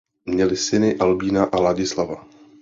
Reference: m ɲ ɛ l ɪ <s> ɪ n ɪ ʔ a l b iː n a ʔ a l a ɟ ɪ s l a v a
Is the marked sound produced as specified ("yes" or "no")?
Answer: yes